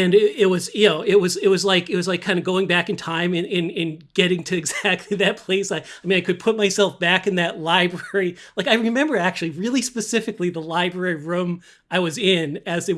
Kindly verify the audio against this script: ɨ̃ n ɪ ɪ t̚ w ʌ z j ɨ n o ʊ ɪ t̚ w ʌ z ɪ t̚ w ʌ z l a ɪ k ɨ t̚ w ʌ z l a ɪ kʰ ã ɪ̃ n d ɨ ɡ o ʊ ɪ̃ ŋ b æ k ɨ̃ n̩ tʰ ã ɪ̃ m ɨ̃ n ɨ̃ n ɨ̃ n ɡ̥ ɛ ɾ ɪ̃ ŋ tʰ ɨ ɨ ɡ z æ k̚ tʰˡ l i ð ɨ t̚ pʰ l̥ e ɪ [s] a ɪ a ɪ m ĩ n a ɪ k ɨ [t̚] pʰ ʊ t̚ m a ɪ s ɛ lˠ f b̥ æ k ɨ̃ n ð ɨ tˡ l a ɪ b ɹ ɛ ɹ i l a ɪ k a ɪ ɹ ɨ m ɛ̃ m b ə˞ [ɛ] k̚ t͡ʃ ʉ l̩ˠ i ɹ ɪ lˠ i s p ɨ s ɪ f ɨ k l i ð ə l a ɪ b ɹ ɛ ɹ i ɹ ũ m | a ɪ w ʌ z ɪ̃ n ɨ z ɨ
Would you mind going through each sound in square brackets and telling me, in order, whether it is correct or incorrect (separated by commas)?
correct, incorrect, incorrect